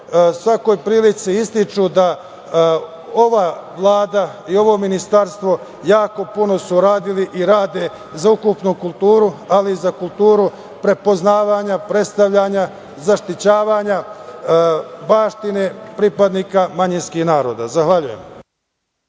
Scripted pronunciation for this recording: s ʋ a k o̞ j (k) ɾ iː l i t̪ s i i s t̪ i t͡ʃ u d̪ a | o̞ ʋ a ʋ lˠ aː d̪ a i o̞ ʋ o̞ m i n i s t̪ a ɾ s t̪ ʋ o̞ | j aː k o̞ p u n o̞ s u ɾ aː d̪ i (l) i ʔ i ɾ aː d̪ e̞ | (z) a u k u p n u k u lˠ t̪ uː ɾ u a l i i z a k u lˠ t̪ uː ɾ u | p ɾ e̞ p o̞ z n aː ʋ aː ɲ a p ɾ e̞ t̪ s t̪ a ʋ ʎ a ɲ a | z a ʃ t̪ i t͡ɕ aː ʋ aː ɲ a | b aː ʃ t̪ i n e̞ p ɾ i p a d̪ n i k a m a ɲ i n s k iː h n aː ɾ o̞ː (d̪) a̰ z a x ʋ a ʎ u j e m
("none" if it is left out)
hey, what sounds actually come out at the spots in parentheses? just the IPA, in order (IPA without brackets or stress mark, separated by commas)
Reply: p, l, z, d̪